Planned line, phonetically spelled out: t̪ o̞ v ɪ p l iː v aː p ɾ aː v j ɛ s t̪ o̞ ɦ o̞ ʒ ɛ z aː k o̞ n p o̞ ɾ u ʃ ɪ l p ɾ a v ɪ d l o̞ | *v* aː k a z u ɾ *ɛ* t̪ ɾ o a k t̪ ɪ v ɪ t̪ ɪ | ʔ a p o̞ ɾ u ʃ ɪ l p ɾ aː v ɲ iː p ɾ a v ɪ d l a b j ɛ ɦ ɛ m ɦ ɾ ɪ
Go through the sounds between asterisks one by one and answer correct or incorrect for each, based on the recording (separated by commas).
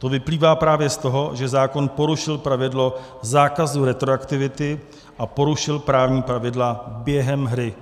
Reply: incorrect, correct